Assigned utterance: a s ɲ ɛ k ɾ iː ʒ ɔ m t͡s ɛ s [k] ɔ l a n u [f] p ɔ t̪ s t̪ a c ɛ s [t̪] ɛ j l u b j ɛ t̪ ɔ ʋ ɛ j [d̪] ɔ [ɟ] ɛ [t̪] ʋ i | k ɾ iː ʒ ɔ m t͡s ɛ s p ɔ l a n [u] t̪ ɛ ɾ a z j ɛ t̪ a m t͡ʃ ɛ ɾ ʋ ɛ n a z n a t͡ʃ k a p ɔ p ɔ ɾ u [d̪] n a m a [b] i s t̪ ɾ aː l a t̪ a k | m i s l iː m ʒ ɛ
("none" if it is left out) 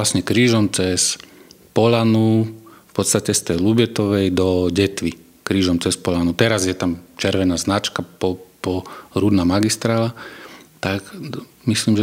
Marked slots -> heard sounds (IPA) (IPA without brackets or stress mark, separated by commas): p, f, t̪, d̪, ɟ, t̪, u, d̪, ɡ